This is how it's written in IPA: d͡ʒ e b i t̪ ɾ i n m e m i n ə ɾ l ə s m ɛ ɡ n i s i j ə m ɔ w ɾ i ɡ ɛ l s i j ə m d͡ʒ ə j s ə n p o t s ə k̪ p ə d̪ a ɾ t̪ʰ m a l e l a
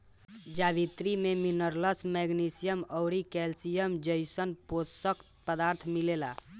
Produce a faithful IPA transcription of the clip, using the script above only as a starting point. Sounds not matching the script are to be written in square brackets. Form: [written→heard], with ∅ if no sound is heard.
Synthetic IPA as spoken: d͡ʒ [e→a] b i t̪ ɾ i [n→∅] m e m i n ə ɾ l ə s m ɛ ɡ n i s i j ə m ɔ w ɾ i [ɡ→k] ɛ l s i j ə m d͡ʒ ə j s ə n p o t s ə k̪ p ə d̪ a ɾ t̪ʰ m [a→i] l e l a